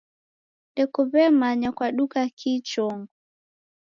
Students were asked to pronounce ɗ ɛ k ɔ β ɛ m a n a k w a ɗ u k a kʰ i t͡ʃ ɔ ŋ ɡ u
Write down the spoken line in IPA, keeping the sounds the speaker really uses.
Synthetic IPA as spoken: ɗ ɛ k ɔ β ɛ m a ɲ a k w a ɗ u k a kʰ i t͡ʃ ɔ ŋ ɡ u